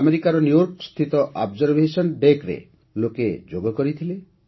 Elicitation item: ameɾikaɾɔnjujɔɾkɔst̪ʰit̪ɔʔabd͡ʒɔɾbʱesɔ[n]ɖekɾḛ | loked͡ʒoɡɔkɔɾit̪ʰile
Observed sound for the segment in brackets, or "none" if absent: n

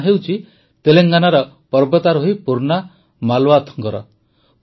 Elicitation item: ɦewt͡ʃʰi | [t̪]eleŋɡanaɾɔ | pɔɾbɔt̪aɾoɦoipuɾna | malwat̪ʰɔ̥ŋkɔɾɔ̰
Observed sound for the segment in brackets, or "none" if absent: t̪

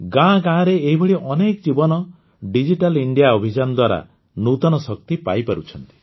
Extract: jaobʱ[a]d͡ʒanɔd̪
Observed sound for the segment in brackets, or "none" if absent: i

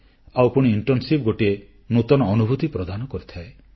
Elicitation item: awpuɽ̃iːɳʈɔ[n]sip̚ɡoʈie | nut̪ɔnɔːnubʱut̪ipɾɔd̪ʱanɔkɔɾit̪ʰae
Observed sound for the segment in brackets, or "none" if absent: n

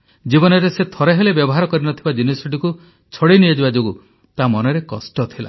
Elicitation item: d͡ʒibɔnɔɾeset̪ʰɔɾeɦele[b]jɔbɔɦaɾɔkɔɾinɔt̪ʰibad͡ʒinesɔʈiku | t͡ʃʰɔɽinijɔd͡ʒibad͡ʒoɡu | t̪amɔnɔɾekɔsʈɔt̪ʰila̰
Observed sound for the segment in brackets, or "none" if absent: b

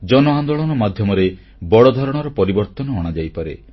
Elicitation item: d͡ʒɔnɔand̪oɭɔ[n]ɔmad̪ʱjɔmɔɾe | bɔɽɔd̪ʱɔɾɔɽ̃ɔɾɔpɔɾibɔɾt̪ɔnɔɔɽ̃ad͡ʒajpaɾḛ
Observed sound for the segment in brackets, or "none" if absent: n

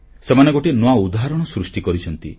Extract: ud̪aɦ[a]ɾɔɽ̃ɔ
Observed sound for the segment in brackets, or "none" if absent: a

